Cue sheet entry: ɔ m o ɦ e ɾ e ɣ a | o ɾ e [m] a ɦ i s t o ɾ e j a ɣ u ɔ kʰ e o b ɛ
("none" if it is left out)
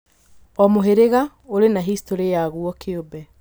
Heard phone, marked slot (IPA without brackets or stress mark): n